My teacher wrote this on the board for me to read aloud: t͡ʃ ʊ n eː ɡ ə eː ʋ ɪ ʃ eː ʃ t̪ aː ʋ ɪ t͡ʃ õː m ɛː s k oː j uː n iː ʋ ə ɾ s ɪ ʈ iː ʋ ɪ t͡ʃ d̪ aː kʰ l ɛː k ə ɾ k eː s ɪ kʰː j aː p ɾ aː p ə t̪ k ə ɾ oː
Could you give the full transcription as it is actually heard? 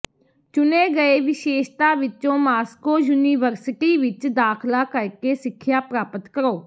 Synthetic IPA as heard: t͡ʃ ʊ n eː ɡ ə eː ʋ ɪ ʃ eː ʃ t̪ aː ʋ ɪ t͡ʃ õː m aː s k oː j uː n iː ʋ ə ɾ s ɪ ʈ iː ʋ ɪ t͡ʃ d̪ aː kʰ l aː k ə ɾ k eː s ɪ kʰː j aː p ɾ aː p ə t̪ k ə ɾ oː